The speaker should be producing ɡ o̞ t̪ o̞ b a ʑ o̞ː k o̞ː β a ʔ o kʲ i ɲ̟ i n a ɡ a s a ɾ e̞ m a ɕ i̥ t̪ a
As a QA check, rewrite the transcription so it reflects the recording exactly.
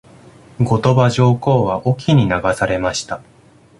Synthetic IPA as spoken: ɡ o̞ t̪ o̞ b a ʑ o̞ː k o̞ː β a ʔ o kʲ i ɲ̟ i n a ɡ a s a ɾ e̞ m a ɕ i̥ t̪ a